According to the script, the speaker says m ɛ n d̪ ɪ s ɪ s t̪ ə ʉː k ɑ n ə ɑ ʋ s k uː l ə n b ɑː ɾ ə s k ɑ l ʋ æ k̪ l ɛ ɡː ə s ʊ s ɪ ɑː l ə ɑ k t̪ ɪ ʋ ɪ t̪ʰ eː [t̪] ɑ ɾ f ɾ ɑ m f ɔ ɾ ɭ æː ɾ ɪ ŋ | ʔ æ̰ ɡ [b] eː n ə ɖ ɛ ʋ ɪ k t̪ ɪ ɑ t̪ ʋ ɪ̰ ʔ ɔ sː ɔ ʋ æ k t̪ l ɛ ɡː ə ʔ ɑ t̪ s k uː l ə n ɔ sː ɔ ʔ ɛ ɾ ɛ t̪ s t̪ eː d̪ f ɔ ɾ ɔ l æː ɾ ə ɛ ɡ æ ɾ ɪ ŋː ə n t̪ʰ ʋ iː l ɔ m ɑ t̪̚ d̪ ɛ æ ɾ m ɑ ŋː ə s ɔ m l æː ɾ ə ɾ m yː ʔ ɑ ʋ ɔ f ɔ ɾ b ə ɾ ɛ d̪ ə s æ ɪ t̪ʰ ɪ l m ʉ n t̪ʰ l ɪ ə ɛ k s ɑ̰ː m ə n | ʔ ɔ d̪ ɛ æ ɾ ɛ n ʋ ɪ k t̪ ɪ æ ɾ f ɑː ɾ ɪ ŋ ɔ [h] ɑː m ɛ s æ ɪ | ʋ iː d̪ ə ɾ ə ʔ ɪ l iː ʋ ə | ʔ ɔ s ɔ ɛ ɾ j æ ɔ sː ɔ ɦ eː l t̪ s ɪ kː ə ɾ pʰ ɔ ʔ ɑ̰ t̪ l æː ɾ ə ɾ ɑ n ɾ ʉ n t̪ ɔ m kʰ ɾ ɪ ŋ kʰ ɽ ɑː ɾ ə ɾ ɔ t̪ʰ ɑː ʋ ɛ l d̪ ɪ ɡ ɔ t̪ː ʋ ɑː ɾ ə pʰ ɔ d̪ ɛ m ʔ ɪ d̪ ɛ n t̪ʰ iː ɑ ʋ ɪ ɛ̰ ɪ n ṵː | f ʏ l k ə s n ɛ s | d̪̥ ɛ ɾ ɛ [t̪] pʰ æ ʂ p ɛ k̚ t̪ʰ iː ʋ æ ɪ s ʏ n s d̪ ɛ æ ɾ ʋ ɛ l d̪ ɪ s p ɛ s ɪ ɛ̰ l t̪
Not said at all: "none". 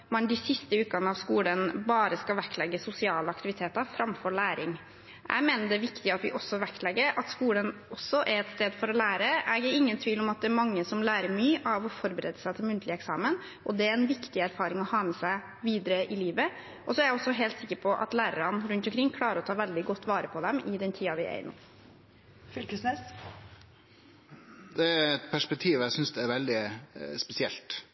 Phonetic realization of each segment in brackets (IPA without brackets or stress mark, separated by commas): t̪, m, h, t̪